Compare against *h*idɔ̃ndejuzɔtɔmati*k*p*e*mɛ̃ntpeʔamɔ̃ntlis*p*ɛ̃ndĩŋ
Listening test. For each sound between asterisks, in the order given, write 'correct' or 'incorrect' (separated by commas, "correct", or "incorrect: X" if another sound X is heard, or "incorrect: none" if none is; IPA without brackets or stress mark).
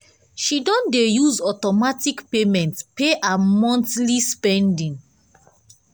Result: incorrect: ʃ, correct, correct, correct